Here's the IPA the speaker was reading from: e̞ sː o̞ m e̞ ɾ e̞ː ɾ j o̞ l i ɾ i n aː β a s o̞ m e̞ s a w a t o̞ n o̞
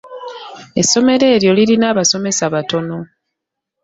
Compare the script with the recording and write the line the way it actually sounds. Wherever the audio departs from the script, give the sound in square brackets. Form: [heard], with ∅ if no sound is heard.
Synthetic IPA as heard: e̞ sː o̞ m e̞ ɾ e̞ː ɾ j o̞ l i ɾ i n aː β a s o̞ m e̞ s a [β] a t o̞ n o̞